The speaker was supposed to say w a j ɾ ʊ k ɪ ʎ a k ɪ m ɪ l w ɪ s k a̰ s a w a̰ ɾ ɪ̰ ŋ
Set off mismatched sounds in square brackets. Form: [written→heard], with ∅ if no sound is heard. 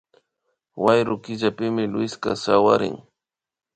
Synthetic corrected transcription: w a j ɾ ʊ k ɪ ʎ a [k→p] ɪ m ɪ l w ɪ s k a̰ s a w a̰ ɾ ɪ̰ ŋ